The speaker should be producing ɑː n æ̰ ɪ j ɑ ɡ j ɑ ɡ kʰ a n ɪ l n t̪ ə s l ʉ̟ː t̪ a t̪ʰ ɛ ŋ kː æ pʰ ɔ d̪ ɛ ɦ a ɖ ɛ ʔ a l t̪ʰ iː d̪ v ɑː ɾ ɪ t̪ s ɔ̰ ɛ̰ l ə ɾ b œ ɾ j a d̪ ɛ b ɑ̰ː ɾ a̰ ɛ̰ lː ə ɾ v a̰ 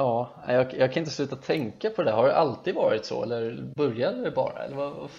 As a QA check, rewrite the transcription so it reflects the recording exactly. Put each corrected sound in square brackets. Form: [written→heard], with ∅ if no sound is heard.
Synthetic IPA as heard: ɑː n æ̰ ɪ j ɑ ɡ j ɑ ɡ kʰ a n ɪ [l→∅] n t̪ ə s l ʉ̟ː t̪ a t̪ʰ ɛ ŋ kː [æ→a] pʰ ɔ d̪ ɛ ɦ a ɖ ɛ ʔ a l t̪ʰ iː d̪ v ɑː ɾ ɪ t̪ s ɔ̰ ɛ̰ [l→lː] ə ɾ b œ ɾ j a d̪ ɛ b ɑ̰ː ɾ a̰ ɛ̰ lː ə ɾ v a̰